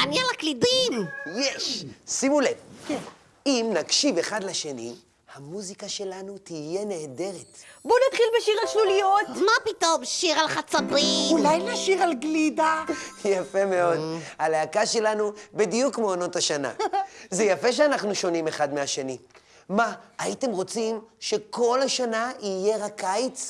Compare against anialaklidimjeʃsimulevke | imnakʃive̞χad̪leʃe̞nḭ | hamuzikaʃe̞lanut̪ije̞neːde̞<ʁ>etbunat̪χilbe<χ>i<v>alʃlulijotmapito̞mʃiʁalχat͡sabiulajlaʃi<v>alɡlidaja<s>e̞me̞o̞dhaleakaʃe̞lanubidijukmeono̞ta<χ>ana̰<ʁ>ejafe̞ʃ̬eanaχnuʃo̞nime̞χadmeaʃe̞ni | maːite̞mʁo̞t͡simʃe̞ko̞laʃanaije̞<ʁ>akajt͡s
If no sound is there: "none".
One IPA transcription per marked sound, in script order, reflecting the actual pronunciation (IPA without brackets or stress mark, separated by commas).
ʁ, ʃ, ʁ, ʁ, f, ʃ, z, ʁ